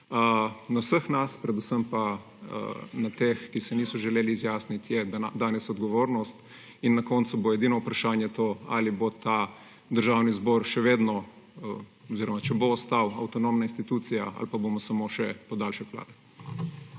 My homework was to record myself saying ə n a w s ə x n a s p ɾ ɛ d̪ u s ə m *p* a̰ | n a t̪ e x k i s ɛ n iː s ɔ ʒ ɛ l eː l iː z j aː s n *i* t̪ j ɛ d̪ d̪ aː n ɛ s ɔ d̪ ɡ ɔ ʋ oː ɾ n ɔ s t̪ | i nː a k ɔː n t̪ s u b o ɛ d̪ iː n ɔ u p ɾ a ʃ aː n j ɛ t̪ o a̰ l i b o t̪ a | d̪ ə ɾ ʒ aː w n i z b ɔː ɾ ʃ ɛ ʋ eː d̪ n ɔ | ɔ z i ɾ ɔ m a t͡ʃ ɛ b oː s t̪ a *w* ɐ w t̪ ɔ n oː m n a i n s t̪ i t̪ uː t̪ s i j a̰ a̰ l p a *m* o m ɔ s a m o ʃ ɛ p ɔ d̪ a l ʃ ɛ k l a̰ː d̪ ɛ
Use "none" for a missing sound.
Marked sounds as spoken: p, i, w, b

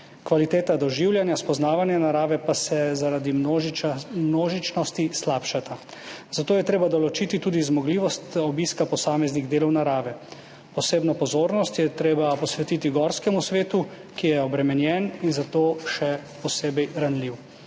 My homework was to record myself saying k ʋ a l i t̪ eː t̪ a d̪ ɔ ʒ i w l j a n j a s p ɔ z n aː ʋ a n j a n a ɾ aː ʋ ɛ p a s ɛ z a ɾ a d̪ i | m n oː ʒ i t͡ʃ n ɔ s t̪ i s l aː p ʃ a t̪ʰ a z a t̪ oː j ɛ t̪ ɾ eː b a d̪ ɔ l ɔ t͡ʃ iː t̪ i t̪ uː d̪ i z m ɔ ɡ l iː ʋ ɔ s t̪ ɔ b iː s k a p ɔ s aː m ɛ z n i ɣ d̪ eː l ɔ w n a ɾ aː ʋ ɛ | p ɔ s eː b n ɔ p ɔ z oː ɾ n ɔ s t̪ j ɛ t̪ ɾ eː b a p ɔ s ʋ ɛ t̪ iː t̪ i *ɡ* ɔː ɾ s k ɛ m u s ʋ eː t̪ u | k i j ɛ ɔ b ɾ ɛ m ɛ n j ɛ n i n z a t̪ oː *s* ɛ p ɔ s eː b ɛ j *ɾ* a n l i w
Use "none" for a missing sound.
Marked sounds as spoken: ɡ, ʃ, ɾ

